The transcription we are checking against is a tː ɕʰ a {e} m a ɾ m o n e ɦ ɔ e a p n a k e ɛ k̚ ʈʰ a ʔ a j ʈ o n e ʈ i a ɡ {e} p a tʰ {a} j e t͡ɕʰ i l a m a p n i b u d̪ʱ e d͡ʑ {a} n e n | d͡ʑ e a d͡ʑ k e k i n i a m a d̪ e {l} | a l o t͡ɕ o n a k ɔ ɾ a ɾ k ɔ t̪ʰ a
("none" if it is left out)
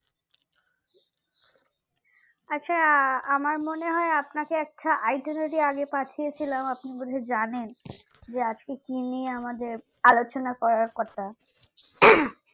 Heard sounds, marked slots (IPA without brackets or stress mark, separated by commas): a, e, i, a, ɾ